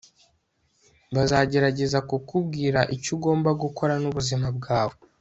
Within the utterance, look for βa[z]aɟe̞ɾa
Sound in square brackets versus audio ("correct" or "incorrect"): correct